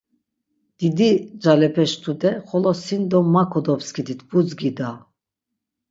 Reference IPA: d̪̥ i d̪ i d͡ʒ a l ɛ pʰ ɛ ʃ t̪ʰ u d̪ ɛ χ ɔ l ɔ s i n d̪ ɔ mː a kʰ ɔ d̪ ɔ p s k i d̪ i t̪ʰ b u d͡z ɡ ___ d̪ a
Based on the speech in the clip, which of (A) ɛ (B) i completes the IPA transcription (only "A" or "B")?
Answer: B